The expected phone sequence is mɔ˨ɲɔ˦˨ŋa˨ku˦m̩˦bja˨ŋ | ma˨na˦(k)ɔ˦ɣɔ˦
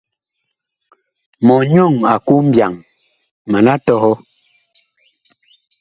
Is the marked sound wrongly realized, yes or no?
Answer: yes